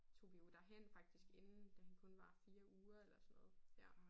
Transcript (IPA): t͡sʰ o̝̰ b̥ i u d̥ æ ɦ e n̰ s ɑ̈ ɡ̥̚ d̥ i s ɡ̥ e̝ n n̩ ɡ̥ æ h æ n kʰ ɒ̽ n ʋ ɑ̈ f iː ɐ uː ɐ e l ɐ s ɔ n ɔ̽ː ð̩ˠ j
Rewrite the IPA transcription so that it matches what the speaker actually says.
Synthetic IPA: t͡sʰ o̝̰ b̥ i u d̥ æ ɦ e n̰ f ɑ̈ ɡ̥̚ d̥ i s ɡ̥ e̝ n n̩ d̥ æ h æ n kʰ ɔ̽ n ʋ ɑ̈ f iː ɐ uː ɐ e l ɐ s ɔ n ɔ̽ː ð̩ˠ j